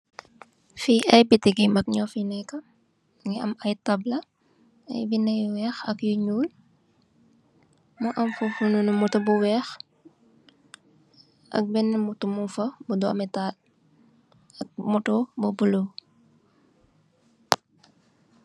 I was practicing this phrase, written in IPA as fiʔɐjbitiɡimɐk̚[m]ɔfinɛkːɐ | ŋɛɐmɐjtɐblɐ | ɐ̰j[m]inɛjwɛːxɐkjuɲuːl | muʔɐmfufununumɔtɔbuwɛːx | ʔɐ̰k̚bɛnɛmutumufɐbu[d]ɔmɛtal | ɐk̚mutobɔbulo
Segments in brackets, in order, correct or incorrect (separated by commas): incorrect, incorrect, correct